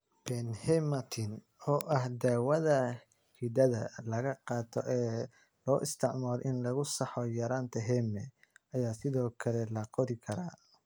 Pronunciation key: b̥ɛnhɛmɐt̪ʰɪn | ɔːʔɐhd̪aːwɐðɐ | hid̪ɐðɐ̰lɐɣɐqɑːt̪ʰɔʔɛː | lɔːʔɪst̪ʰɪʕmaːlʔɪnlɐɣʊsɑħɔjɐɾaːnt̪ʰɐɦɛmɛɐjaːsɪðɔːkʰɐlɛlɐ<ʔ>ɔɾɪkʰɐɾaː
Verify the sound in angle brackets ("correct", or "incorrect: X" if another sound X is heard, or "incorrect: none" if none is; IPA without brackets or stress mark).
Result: incorrect: q